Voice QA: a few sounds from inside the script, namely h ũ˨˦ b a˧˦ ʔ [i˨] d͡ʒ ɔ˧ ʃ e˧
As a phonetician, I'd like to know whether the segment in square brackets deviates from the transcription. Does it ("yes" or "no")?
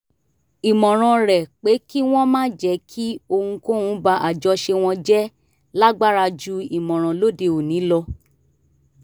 yes